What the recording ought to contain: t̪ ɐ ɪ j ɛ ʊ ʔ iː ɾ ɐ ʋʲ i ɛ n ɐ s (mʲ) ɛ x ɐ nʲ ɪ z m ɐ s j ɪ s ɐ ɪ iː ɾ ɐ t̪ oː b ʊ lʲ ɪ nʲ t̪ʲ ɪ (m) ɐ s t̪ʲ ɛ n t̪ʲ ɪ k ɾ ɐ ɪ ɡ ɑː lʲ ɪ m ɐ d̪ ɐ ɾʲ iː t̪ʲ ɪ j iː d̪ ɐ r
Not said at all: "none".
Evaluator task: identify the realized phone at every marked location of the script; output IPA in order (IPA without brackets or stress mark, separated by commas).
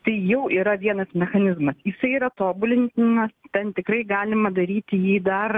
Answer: mʲ, n